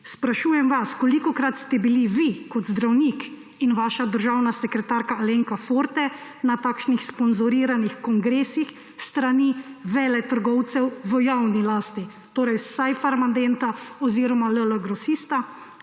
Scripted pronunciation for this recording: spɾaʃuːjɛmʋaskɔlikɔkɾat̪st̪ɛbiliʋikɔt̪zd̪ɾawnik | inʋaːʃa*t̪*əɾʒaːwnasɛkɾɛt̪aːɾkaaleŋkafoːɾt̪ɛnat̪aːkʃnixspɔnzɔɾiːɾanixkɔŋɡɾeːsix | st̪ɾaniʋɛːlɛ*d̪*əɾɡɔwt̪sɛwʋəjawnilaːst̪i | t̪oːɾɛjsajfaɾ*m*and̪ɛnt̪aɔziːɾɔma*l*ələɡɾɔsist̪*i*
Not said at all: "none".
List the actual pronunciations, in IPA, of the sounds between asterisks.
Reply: d̪, t̪, m, l, a

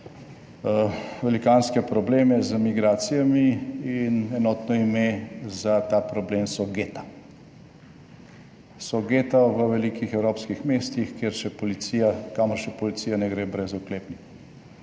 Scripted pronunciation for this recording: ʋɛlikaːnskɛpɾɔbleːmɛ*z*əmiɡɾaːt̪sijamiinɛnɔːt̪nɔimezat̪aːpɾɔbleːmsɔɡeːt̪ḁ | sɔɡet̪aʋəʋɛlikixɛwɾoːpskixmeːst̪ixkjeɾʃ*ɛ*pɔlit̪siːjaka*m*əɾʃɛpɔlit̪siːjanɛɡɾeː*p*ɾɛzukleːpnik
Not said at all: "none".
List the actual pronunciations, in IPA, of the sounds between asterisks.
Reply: z, ɛ, m, b

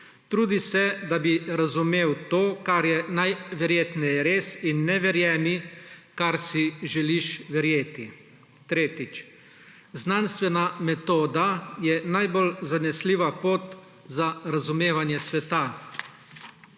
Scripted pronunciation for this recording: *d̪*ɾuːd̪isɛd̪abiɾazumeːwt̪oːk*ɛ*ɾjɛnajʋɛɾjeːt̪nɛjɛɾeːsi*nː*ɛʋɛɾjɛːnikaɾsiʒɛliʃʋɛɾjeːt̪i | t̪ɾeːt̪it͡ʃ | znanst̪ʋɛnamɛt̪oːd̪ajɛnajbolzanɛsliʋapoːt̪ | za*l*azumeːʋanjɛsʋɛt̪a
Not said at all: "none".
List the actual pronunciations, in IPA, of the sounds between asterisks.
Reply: t̪, a, nː, ɾ

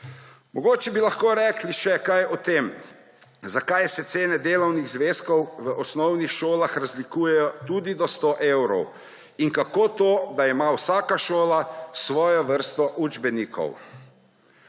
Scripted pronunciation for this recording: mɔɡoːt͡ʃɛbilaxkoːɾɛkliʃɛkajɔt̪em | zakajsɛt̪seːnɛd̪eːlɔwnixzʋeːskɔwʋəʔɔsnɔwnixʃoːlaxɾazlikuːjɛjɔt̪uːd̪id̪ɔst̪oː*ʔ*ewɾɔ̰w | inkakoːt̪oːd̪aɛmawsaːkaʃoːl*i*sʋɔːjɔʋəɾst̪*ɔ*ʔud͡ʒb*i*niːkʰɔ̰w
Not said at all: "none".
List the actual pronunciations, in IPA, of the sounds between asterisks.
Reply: ʔ, a, ɔ, ɛ

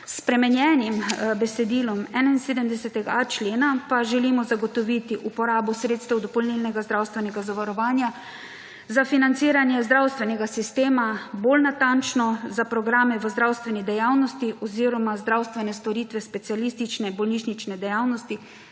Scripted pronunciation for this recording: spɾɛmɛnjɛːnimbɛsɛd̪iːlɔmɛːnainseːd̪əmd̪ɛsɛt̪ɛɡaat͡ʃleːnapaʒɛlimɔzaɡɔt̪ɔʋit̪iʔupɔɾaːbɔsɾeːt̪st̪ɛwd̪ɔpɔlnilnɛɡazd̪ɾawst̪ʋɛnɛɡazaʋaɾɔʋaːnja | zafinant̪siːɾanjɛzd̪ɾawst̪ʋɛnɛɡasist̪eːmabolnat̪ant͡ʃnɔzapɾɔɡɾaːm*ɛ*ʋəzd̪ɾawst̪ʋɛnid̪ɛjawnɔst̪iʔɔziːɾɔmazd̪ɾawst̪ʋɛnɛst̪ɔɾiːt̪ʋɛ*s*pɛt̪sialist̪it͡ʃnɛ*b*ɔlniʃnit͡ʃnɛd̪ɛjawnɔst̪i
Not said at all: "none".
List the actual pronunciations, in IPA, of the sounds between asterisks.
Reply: ɛ, s, b

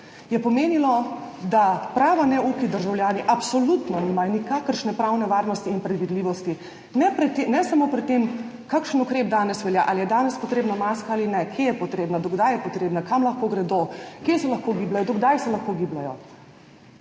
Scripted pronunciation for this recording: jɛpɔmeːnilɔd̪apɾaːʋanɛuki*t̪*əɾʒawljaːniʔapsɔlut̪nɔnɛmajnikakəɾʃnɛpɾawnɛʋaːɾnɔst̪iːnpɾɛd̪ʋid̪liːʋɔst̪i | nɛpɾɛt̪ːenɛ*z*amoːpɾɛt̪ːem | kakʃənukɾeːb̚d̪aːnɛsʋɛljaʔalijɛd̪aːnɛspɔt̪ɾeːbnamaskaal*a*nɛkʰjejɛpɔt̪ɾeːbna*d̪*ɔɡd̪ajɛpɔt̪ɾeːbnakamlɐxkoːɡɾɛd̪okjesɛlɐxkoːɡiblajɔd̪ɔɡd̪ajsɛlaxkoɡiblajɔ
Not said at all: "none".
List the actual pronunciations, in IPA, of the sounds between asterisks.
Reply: d̪, s, i, d̪

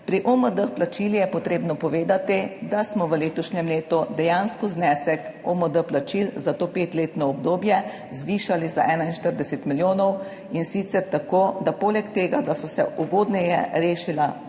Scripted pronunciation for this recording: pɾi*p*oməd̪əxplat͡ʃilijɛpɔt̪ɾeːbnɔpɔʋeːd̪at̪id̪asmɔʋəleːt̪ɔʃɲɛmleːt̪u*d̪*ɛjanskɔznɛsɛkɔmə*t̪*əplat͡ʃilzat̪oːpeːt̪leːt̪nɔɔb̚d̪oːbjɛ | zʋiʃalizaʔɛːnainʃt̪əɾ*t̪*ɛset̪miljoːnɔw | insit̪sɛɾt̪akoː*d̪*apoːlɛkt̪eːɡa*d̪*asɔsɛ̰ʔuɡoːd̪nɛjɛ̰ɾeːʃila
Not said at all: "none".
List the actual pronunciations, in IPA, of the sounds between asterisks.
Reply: ʔ, d̪, d̪, d̪, d̪, d̪

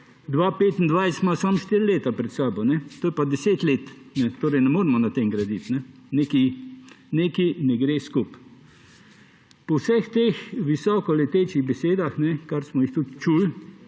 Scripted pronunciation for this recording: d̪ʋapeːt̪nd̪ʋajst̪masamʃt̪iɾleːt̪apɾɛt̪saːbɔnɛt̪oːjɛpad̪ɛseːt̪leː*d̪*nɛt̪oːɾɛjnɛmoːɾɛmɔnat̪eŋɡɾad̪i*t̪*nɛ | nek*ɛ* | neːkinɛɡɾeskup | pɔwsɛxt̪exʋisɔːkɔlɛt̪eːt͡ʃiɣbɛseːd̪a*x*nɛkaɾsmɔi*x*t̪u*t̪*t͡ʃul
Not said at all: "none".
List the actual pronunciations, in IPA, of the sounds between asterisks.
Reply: t̪, t̪, i, x, x, t̪

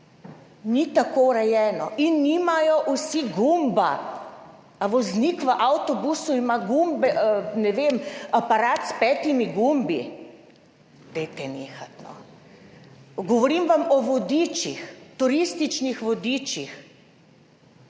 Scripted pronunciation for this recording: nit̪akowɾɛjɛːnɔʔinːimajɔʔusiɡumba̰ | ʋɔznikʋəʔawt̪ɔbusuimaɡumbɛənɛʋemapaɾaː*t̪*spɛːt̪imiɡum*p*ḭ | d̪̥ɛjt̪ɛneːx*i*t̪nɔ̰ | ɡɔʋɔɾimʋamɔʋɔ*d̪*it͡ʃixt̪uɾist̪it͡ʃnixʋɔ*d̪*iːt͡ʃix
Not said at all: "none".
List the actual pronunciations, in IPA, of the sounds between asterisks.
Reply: t̪, b, a, d̪, d̪

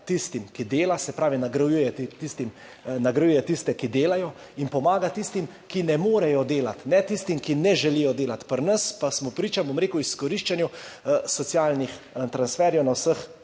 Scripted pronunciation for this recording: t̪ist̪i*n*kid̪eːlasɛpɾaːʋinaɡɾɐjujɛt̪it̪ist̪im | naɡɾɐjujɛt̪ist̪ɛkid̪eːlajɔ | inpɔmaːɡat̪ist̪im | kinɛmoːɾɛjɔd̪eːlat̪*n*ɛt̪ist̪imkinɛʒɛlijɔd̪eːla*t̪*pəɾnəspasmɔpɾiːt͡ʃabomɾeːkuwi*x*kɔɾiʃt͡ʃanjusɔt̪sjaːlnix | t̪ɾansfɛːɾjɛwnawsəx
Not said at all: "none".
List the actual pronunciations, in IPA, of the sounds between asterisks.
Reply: m, n, t̪, s

